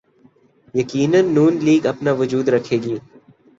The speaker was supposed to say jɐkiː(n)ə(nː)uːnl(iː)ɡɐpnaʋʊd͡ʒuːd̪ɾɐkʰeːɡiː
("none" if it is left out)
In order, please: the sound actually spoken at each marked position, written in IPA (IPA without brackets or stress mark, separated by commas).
n, nː, iː